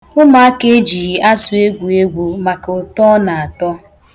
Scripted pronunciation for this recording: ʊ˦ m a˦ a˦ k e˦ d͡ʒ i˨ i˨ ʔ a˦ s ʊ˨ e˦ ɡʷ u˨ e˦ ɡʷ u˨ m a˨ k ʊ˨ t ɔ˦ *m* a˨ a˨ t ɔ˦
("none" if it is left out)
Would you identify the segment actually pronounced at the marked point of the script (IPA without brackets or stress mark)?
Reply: n